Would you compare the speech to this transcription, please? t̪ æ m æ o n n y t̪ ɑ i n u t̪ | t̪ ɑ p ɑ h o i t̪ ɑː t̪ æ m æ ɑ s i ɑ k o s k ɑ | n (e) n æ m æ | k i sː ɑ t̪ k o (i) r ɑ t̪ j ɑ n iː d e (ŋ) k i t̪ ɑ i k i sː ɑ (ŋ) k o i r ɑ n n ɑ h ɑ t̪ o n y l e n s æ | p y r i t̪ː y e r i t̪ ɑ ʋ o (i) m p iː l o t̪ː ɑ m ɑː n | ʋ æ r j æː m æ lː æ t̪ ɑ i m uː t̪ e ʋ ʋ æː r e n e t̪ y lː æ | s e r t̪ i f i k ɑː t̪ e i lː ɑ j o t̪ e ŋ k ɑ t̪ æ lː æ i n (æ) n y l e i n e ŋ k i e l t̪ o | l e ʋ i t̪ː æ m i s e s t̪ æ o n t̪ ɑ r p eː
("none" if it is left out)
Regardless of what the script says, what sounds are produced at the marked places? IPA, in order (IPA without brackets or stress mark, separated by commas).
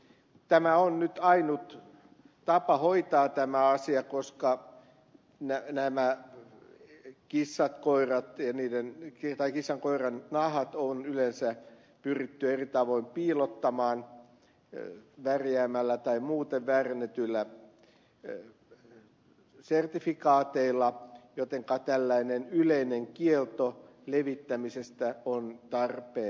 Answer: æ, i, n, ŋ, i, e